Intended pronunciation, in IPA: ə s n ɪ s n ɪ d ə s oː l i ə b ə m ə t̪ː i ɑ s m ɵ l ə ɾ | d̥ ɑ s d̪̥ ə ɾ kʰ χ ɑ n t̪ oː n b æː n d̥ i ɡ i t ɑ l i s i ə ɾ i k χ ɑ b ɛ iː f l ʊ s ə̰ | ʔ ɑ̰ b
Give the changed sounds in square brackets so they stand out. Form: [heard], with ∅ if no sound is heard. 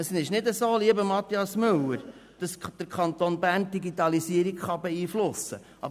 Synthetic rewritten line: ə s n ɪ [ʃ] n ɪ d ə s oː l i ə b ə m [ɑ] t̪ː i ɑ s m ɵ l ə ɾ | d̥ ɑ s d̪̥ ə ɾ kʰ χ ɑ n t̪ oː n b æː n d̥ i ɡ i t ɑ l i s i ə ɾ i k χ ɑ b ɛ iː f l ʊ s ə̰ | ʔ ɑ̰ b